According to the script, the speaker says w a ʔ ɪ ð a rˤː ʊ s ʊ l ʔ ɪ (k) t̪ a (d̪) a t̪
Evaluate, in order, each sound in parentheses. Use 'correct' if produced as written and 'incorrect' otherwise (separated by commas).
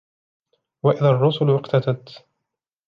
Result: incorrect, incorrect